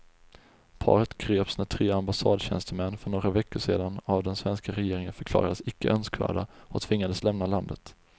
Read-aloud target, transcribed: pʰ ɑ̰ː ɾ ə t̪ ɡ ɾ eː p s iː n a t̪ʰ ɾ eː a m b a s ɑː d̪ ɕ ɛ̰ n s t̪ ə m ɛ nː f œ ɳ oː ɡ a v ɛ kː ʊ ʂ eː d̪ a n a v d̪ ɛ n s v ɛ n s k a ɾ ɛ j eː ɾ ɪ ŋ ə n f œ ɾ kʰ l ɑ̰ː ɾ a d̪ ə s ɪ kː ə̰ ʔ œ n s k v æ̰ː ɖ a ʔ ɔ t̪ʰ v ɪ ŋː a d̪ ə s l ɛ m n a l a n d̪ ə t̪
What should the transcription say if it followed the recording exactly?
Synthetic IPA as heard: pʰ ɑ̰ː ɾ ə t̪ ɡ ɾ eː p s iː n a t̪ʰ ɾ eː a m b a s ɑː d̪ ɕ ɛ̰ n s t̪ ə m ɛ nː f œ ɳ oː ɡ a v ɛ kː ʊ ʂ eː d̪ a n a v d̪ ɛ n s v ɛ n s k a ɾ ɛ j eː ɾ ɪ ŋ ə n f œ ɾ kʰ l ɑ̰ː ɾ a d̪ ə s ɪ kː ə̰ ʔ œ n s k v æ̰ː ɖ a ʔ ɔ t̪ʰ v ɪ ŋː a d̪ ə s l ɛ m n a l a n d̪ ə t̪

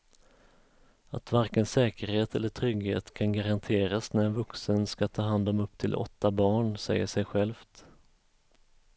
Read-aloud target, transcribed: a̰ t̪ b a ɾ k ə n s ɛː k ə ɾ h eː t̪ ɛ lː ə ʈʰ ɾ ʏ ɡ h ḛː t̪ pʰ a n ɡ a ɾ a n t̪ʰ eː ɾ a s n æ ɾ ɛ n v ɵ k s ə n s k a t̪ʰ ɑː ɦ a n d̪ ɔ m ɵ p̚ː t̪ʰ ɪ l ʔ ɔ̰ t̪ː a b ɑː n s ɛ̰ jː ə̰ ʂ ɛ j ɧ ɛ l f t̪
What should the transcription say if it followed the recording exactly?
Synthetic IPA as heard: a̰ t̪ v a ɾ k ə n s ɛː k ə ɾ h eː t̪ ɛ lː ə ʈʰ ɾ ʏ ɡ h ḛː t̪ kʰ a n ɡ a ɾ a n t̪ʰ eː ɾ a s n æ ɾ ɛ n v ɵ k s ə n s k a t̪ʰ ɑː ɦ a n d̪ ɔ m ɵ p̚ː t̪ʰ ɪ l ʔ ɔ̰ t̪ː a b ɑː ɳ s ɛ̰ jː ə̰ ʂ ɛ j ɧ ɛ l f t̪

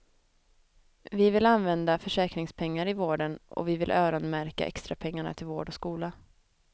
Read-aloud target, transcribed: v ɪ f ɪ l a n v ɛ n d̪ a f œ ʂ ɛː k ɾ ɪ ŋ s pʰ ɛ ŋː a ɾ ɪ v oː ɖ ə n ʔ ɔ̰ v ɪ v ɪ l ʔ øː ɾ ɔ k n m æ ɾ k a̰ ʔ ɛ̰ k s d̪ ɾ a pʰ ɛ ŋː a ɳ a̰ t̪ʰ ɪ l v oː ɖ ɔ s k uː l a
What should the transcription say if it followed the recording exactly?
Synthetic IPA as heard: v ɪ v ɪ l a n v ɛ n d̪ a f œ ʂ ɛː k ɾ ɪ ŋ s pʰ ɛ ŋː a ɾ ɪ v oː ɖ ə n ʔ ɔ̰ v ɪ v ɪ l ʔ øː ɾ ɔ n m æ ɾ k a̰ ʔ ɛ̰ k s t̪ ɾ a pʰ ɛ ŋː a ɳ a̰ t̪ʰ ɪ l v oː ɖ ɔ s k uː l a

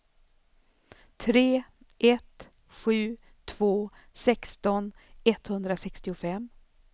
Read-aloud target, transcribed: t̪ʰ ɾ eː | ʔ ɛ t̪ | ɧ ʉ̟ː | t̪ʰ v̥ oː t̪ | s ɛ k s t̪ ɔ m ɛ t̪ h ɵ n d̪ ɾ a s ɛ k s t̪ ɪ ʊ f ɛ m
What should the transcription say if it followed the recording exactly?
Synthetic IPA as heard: t̪ʰ ɾ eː | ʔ ɛ t̪ | ɧ ʉ̟ː | t̪ʰ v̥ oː | s ɛ k s t̪ ɔ n ɛ t̪ h ɵ n d̪ ɾ a s ɛ k s t̪ ɪ ʊ f ɛ m

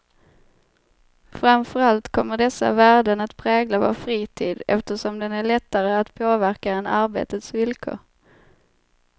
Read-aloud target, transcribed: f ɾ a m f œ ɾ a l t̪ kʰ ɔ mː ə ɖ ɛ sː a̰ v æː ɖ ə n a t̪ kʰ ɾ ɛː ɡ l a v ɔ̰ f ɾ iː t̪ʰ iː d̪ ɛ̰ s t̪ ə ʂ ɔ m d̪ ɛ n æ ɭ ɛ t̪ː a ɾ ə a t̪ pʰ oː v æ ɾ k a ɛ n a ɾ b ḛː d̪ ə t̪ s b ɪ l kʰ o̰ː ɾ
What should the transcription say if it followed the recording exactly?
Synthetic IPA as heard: f ɾ a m f œ ɾ a l t̪ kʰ ɔ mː ə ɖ ɛ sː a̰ v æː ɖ ə n a t̪ pʰ ɾ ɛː ɡ l a v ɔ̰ f ɾ iː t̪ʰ iː d̪ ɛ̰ f t̪ ə ʂ ɔ m d̪ ɛ n æ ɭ ɛ t̪ː a ɾ ə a t̪ pʰ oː v æ ɾ k a ɛ n a ɾ b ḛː t̪ ə t̪ s v ɪ l kʰ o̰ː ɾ

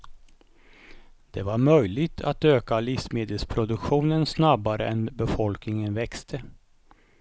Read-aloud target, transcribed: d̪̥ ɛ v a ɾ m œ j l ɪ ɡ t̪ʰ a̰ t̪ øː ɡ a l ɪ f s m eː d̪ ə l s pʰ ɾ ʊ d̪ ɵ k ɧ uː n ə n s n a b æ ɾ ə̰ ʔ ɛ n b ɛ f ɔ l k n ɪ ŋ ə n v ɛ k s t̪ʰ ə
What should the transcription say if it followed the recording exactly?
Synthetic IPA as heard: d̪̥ ɛ v a ɾ m œ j l ɪ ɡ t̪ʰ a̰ t̪ øː k a l ɪ f s m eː d̪ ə l s pʰ ɾ ʊ d̪ ɵ k ɧ uː n ə n s n a b a ɾ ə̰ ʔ ɛ n b ɛ f ɔ l k n ɪ ŋ ə n v ɛ k s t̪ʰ ə

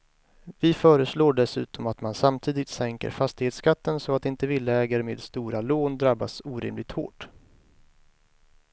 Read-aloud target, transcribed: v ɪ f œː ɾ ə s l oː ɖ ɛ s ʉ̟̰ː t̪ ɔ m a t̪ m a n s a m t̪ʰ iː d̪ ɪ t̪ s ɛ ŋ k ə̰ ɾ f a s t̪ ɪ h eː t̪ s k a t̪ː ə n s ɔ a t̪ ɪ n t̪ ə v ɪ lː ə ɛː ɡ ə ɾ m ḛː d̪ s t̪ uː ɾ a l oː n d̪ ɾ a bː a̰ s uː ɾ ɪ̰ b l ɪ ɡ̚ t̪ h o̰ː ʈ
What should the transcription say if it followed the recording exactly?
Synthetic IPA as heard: v ɪ f œː ɾ ə s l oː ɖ ɛ s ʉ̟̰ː t̪ ɔ m a t̪ m a n s a m t̪ʰ iː d̪ ɪ t̪ s ɛ ŋ k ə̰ ɾ f a s t̪ ɪ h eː t̪ s k a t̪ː ə n s ɔ a t̪ ɪ n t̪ ə v ɪ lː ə ɛː ɡ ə ɾ m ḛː d̪ s t̪ uː ɾ a l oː n d̪ ɾ a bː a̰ s uː ɾ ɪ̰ m l ɪ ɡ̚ t̪ h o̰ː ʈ

